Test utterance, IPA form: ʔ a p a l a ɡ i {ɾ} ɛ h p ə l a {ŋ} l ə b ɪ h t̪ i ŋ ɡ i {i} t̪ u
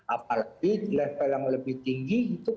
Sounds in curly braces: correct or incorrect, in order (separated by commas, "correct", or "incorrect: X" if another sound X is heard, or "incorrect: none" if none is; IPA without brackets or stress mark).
incorrect: l, correct, correct